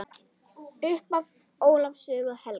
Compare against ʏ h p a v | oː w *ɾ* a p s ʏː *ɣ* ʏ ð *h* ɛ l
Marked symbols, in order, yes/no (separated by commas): no, yes, yes